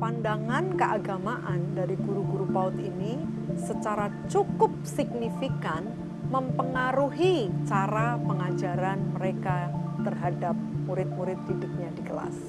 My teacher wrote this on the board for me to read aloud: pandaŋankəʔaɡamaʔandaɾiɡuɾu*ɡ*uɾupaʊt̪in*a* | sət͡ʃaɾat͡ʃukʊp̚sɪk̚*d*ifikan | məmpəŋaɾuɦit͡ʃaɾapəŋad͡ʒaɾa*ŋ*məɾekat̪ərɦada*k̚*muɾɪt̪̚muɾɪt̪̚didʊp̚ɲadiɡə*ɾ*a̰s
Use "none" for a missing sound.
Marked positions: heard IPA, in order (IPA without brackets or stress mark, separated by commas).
ɡ, i, n, n, p̚, l